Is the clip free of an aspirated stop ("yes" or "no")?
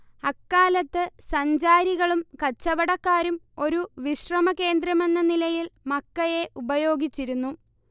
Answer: yes